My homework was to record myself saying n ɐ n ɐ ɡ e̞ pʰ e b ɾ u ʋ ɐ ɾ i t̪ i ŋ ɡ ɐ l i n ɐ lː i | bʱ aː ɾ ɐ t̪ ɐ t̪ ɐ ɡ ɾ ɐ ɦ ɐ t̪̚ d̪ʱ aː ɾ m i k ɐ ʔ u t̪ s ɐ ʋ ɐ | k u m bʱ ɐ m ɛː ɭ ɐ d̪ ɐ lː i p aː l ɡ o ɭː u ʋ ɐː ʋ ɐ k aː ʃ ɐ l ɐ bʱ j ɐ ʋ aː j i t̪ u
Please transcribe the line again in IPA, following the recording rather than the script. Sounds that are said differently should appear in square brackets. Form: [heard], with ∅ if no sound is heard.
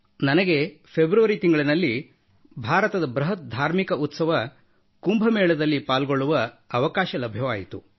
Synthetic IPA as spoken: n ɐ n ɐ ɡ e̞ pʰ e b ɾ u ʋ ɐ ɾ i t̪ i ŋ ɡ ɐ [ɭ] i n ɐ lː i | bʱ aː ɾ ɐ t̪ ɐ [d̪] ɐ [b] ɾ ɐ ɦ ɐ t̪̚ d̪ʱ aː ɾ m i k ɐ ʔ u t̪ s ɐ ʋ ɐ | k u m bʱ ɐ m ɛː ɭ ɐ d̪ ɐ lː i p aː l ɡ o ɭː u ʋ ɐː ʋ ɐ k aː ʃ ɐ l ɐ bʱ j ɐ ʋ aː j i t̪ u